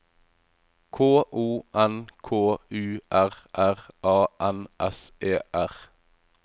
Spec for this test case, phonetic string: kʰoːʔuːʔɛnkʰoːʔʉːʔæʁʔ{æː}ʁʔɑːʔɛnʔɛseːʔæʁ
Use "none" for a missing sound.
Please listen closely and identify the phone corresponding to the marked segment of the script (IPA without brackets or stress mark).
æ